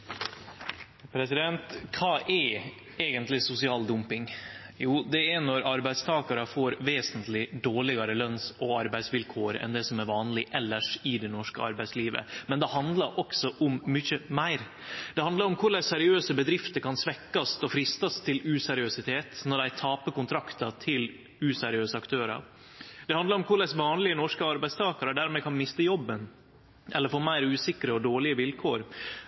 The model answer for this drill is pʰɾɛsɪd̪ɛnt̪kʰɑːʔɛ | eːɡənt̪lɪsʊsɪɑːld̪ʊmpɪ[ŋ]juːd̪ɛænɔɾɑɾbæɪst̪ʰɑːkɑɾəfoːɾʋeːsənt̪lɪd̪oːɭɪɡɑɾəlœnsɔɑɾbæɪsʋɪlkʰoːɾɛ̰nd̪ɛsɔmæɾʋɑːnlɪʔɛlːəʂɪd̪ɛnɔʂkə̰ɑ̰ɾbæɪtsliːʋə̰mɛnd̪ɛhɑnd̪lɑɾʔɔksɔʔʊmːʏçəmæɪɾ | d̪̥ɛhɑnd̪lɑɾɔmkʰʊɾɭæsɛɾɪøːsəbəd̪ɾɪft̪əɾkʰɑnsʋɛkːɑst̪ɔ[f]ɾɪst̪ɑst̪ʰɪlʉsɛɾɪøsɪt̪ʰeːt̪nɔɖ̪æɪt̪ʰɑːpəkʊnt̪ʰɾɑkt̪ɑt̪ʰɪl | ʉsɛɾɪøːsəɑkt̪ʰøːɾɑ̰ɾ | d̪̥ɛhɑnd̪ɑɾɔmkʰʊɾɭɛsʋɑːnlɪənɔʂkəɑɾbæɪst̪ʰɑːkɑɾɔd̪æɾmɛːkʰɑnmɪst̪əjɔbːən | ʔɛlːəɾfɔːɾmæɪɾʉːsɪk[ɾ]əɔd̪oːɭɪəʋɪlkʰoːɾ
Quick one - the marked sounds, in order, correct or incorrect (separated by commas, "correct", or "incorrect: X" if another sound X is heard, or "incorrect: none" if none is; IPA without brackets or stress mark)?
correct, correct, correct